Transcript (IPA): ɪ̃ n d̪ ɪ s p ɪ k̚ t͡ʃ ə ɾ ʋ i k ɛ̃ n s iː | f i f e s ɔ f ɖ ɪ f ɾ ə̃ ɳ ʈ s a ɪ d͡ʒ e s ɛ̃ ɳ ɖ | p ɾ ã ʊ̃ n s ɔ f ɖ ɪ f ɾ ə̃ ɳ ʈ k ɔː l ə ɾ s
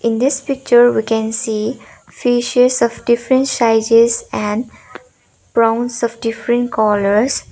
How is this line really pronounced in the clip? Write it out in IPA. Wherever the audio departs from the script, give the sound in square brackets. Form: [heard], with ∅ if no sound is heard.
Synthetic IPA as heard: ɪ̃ n d̪ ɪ s p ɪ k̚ t͡ʃ ə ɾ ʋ i k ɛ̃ n s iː | f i [ʃ] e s ɔ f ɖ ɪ f ɾ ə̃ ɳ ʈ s a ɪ d͡ʒ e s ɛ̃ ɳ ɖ | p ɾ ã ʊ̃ n s ɔ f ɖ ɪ f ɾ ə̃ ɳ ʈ k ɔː l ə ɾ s